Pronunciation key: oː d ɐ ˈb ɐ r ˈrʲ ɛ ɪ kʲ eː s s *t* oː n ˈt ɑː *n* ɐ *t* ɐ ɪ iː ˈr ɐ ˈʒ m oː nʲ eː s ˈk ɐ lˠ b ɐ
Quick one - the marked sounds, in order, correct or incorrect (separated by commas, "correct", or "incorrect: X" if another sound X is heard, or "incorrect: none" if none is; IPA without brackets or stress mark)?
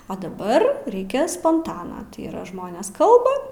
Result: incorrect: p, correct, correct